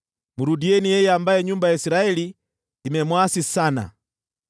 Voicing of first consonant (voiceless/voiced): voiced